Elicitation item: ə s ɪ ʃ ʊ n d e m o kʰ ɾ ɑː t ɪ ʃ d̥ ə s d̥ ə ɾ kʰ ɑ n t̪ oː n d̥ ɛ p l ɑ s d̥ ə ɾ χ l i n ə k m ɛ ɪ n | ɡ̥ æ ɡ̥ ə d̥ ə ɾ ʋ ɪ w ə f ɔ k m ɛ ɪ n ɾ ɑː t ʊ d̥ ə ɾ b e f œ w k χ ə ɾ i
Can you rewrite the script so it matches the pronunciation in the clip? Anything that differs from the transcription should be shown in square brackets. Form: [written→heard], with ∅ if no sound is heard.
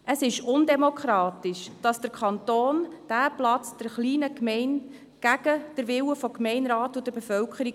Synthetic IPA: ə s ɪ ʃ ʊ n d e m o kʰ ɾ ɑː t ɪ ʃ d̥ [ə→ɑ] s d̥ ə ɾ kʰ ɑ n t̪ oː n d̥ [ɛ→æ] p l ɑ [s→t͡s] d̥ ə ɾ χ l [i→iː] n ə k m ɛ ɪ n | ɡ̥ æ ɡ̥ ə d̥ ə ɾ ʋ ɪ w ə f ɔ k m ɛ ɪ n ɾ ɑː t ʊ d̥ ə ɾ b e f œ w k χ ə ɾ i